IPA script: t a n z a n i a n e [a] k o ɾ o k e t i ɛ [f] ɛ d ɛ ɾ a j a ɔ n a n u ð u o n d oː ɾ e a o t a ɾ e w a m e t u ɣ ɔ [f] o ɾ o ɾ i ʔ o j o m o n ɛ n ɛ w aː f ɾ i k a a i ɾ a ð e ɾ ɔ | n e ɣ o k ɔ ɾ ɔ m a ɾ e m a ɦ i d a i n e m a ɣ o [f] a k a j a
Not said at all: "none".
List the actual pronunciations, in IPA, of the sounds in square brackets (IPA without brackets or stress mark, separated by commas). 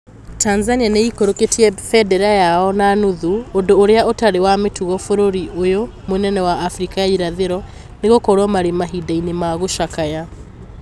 i, f, f, ʃ